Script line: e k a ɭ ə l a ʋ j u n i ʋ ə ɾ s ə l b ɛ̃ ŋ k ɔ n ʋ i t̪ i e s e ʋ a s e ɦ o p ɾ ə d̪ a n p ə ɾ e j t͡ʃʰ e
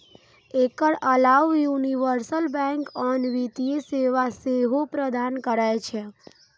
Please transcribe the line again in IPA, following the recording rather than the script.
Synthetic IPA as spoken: e k ə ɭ ə l a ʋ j u n i ʋ ə ɾ s ə l b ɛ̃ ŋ k ɔ n ʋ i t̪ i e s e ʋ a s e ɦ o p ɾ ə d̪ a n k ə ɾ a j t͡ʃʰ e